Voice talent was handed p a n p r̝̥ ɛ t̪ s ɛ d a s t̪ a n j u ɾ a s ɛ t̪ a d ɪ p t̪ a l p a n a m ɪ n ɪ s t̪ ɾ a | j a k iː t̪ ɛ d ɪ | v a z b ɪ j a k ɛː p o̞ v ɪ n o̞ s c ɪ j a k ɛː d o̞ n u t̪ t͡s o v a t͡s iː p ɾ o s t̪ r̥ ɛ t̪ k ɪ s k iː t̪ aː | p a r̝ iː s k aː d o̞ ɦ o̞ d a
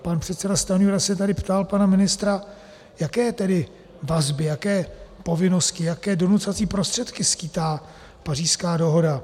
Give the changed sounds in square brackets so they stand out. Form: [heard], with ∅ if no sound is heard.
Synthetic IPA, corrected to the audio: p a n p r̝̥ ɛ t̪ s ɛ d a s t̪ a n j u ɾ a s ɛ t̪ a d ɪ p t̪ a l p a n a m ɪ n ɪ s t̪ ɾ a | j a k [ɛː] t̪ ɛ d ɪ | v a z b ɪ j a k ɛː p o̞ v ɪ n o̞ s c ɪ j a k ɛː d o̞ n u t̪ t͡s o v a t͡s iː p ɾ o s t̪ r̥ ɛ t̪ k ɪ s k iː t̪ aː | p a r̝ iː s k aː d o̞ ɦ o̞ d a